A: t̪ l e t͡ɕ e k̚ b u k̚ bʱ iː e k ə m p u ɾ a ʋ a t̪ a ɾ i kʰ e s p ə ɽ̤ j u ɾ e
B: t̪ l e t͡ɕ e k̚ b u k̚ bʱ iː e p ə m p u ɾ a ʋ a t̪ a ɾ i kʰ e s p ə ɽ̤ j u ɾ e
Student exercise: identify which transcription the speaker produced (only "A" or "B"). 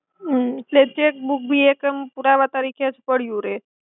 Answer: A